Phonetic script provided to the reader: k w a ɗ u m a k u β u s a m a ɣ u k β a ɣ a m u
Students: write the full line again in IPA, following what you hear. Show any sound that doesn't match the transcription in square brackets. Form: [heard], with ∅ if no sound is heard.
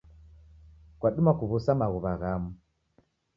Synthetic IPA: k w a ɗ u m a k u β u s a m a ɣ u [∅] β a ɣ a m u